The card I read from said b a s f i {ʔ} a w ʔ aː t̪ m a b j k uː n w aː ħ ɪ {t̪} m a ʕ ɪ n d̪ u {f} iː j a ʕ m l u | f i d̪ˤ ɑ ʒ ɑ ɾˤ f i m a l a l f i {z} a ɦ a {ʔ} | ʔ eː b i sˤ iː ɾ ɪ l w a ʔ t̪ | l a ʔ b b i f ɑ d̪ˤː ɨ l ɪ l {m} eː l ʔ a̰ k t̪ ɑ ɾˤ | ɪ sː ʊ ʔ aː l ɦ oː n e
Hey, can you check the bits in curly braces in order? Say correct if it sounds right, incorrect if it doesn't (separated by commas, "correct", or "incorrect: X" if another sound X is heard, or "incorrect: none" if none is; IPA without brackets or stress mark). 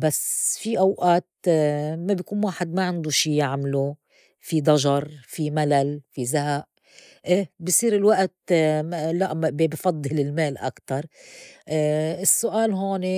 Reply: correct, incorrect: d̪, incorrect: ʃ, correct, correct, correct